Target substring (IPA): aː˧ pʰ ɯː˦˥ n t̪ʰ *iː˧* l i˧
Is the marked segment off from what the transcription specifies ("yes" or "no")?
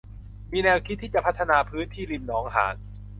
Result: yes